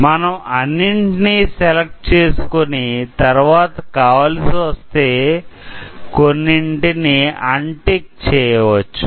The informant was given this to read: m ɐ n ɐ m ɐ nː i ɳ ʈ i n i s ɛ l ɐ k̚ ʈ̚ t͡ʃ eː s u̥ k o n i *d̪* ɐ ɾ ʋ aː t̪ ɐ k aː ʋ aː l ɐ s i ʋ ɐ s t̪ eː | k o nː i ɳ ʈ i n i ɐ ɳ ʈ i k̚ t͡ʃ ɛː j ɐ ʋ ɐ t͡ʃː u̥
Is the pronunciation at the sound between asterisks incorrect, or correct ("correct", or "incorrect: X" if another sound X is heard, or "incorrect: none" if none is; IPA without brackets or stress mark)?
incorrect: t̪